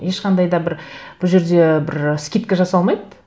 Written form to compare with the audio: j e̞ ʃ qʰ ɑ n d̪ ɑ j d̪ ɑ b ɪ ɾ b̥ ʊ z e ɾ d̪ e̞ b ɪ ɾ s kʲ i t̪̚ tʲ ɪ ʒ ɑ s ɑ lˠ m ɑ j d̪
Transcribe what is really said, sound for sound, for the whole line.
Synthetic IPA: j e̞ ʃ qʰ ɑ n d̪ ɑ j d̪ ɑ b ɪ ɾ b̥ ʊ ʒ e ɾ d̪ e̞ b ɪ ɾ s kʲ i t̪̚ kʲ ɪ ʒ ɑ s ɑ lˠ m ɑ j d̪